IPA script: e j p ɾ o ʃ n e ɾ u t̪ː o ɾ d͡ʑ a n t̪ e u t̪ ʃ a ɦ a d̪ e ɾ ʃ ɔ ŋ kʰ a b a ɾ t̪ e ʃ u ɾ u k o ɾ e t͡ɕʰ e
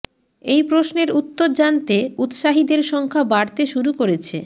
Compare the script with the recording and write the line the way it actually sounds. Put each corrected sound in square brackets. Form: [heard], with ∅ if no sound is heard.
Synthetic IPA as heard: e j p ɾ o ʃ n e ɾ u t̪ː o ɾ d͡ʑ a n t̪ e u t̪ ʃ a ɦ [i] d̪ e ɾ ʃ ɔ ŋ kʰ a b a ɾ t̪ e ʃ u ɾ u k o ɾ e t͡ɕʰ e

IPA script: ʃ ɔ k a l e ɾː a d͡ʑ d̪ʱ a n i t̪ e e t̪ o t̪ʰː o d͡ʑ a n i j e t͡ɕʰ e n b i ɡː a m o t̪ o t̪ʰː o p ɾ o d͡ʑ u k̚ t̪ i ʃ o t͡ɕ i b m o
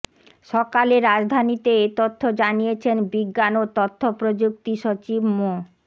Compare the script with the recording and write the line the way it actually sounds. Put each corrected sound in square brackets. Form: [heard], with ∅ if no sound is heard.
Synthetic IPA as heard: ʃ ɔ k a l e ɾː a d͡ʑ d̪ʱ a n i t̪ e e t̪ o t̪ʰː o d͡ʑ a n i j e t͡ɕʰ e n b i ɡː a [n] o t̪ o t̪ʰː o p ɾ o d͡ʑ u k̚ t̪ i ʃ o t͡ɕ i b m o

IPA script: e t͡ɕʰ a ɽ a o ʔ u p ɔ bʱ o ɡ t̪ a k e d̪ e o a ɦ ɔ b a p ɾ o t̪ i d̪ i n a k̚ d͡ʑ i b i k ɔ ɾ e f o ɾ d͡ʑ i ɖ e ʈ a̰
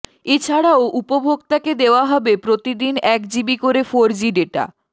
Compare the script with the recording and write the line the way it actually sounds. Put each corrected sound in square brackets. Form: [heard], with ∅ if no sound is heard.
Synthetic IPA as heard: e t͡ɕʰ a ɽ a o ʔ u p [o] bʱ o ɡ t̪ a k e d̪ e o a ɦ ɔ b [e] p ɾ o t̪ i d̪ i n [ɛ] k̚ d͡ʑ i b i k [o] ɾ e f o ɾ d͡ʑ i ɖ e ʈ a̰

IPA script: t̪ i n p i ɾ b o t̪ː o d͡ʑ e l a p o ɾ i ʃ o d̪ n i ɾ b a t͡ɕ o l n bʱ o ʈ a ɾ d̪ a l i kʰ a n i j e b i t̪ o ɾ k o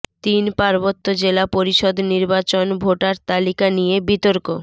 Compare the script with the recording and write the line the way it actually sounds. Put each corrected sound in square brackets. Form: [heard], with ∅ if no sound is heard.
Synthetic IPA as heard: t̪ i n p [a] ɾ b o t̪ː o d͡ʑ e l a p o ɾ i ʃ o d̪ n i ɾ b a t͡ɕ o [∅] n bʱ o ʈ a ɾ [t̪] a l i [k] a n i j e b i t̪ o ɾ k o

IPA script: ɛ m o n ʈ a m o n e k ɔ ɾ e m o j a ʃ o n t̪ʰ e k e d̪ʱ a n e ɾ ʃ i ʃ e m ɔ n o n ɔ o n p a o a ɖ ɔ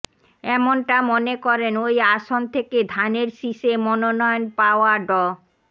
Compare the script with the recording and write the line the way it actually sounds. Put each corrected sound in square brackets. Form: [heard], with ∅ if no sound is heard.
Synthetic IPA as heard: ɛ m o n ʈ a m o n e k ɔ ɾ e [n] o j a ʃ o n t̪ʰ e k e d̪ʱ a n e ɾ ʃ i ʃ e m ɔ n o n ɔ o n p a o a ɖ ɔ

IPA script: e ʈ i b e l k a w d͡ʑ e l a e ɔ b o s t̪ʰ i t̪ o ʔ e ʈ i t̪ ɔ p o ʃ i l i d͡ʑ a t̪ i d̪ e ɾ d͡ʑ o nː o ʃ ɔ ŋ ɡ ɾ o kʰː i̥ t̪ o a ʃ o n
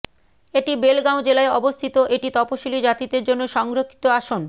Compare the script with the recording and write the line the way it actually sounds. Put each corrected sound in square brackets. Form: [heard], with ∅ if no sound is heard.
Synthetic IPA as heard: e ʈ i b e l [ɡ] a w d͡ʑ e l a e ɔ b o s t̪ʰ i t̪ o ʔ e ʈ i t̪ ɔ p o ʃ i l i d͡ʑ a t̪ i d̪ e ɾ d͡ʑ o nː o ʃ ɔ ŋ ɡ ɾ o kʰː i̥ t̪ o a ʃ o n

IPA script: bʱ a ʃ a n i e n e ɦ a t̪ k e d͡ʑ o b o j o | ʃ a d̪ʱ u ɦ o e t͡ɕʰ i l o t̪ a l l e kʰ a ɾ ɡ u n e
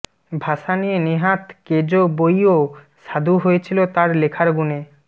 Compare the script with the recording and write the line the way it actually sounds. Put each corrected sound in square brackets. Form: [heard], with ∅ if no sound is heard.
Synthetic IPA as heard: bʱ a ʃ a n i e n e ɦ a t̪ k e d͡ʑ o b o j o | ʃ a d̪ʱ u ɦ o e t͡ɕʰ i l o t̪ a [ɾ] l e kʰ a ɾ ɡ u n e

